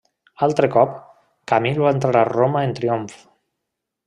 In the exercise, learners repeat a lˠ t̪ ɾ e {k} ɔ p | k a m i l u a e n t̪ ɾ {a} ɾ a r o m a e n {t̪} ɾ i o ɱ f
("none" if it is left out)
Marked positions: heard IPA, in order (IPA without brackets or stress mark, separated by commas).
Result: k, a, t̪